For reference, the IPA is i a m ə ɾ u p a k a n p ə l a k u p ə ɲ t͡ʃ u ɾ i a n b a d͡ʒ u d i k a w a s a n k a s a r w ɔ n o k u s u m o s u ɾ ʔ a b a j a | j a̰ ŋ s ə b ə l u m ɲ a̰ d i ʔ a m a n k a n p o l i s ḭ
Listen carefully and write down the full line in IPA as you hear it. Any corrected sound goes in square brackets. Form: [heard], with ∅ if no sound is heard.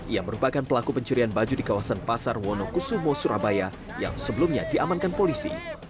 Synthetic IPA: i a m ə ɾ u p a k a n p ə l a k u p ə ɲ t͡ʃ u ɾ i a n b a d͡ʒ u d i k a w a s a n [p] a s a r w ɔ n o k u s u m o s u ɾ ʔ a b a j a | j a̰ ŋ s ə b ə l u m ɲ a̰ d i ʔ a m a n k a n p o l i s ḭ